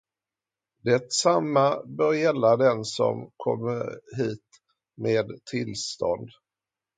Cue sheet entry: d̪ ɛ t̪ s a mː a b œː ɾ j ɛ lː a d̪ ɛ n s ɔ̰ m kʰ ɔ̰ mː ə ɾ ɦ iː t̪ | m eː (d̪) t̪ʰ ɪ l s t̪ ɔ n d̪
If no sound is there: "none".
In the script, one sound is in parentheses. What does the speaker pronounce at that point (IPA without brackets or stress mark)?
d̪